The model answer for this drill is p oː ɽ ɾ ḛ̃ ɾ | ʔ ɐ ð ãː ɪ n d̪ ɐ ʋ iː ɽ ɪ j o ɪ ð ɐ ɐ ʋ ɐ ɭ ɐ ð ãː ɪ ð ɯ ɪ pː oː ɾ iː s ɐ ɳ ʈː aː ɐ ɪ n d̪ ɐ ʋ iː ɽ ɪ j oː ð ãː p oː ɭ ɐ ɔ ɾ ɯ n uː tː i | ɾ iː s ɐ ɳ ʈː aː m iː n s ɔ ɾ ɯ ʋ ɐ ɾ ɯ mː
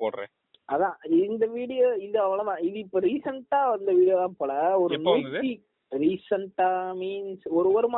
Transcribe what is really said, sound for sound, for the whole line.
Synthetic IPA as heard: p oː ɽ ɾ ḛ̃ | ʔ ɐ ð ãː ɪ n d̪ ɐ ʋ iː ɽ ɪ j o ɪ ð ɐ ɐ ʋ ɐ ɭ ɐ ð ãː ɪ ð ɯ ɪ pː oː ɾ iː s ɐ ɳ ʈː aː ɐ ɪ n d̪ ɐ ʋ iː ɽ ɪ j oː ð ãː p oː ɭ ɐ ɔ ɾ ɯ n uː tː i | ɾ iː s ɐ ɳ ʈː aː m iː n s ɔ ɾ ɯ ʋ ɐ ɾ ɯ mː